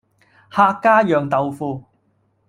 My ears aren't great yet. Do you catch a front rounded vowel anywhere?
yes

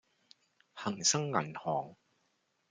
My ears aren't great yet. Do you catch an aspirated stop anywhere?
no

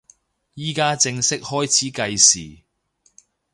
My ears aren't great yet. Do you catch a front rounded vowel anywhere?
no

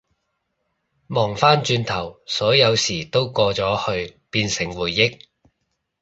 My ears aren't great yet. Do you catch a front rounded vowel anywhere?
yes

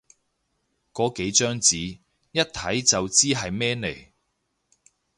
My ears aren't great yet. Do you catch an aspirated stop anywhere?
yes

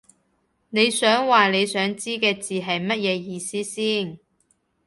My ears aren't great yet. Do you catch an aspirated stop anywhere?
no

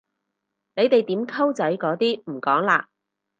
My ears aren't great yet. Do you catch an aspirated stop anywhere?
yes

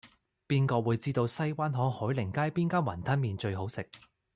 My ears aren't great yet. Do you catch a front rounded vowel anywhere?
no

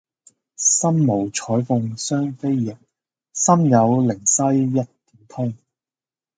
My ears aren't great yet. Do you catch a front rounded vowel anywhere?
yes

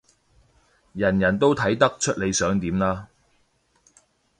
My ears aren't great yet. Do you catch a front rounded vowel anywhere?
yes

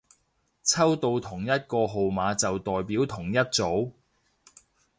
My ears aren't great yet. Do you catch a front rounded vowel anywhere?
no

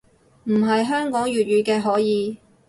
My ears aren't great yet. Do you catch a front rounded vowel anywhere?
yes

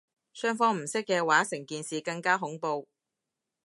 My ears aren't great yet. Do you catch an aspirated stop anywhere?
no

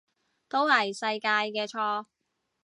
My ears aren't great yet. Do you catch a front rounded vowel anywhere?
no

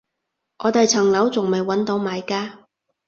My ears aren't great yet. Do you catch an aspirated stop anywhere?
yes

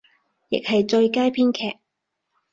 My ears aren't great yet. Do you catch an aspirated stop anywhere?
yes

